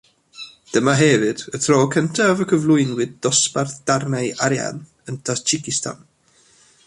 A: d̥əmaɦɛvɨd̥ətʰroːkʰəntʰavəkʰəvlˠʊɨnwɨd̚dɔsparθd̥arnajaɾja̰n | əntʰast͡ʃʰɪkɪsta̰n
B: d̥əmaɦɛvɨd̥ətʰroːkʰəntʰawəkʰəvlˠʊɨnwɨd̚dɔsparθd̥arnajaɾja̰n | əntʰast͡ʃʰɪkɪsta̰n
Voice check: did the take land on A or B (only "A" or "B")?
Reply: A